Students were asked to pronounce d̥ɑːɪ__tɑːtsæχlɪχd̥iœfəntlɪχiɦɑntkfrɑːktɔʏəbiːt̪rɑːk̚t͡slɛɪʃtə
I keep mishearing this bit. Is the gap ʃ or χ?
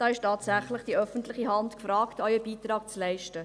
ʃ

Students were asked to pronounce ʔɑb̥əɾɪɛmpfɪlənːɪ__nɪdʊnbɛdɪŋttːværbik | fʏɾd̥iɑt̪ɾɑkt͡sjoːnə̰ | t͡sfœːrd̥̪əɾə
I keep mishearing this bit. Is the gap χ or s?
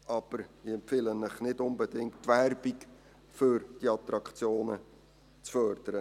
χ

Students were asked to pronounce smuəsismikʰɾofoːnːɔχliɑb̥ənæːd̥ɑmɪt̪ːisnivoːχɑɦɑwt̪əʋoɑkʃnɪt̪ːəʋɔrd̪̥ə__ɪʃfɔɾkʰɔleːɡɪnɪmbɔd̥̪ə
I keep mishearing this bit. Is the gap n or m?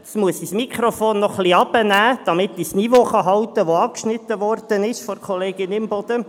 n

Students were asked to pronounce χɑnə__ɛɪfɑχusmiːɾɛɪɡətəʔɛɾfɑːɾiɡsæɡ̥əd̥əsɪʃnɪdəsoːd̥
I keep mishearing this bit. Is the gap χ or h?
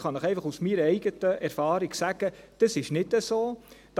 χ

